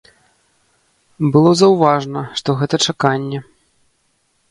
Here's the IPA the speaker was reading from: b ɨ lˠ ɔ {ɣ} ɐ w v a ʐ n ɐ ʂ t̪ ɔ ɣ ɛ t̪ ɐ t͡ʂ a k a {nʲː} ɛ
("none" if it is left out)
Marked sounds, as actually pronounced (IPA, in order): z, nʲː

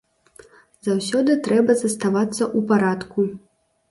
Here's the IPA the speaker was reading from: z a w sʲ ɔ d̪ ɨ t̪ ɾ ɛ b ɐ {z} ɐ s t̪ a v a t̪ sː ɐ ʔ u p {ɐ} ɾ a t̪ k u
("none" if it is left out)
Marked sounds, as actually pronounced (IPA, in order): z, a

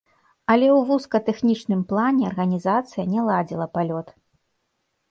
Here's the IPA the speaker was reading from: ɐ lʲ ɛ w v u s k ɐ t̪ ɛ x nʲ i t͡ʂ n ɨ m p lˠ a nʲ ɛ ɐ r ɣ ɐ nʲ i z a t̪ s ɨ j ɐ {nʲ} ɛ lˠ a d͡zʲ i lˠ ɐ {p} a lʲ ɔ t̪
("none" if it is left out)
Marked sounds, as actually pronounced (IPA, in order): nʲ, p

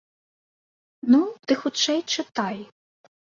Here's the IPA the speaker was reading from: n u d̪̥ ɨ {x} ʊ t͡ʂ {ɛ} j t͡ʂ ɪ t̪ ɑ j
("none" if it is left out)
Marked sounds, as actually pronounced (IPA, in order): x, ɛ

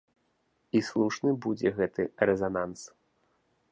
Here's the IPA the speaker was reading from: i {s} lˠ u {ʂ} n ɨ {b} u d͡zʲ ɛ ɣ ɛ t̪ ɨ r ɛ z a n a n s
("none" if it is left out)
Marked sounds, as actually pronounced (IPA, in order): s, ʂ, b

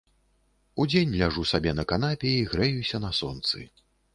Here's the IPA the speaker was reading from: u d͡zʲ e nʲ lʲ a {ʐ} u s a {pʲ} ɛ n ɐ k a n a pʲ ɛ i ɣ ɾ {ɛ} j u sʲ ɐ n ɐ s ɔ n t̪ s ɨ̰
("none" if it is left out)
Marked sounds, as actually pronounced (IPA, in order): ʐ, bʲ, ɛ

